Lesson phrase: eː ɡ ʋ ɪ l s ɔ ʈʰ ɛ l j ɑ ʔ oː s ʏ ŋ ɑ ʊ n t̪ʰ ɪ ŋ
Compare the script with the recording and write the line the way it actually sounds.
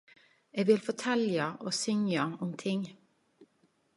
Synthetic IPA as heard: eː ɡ ʋ ɪ l f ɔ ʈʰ ɛ l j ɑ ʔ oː s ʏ ŋ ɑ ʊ m t̪ʰ ɪ ŋ